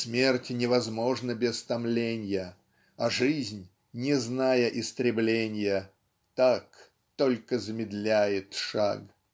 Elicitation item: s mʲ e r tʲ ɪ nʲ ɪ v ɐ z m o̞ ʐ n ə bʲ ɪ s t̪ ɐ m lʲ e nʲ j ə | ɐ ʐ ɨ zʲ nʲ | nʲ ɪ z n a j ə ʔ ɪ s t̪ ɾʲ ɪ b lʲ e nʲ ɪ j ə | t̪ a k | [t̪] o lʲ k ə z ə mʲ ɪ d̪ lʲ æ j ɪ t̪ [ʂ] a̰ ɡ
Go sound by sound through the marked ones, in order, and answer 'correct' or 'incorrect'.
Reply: correct, correct

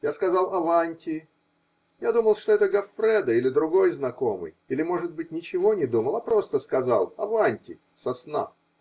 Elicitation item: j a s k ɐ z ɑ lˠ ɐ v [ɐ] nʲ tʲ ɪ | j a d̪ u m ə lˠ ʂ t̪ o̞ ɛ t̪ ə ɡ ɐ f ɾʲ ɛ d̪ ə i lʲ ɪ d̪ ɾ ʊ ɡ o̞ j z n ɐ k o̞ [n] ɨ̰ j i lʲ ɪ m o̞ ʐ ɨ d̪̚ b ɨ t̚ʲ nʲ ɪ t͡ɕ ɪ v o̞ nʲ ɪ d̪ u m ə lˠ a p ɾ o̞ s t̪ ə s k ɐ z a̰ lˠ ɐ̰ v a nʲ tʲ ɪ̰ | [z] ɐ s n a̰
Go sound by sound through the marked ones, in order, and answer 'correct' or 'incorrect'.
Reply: incorrect: a, incorrect: m, incorrect: s

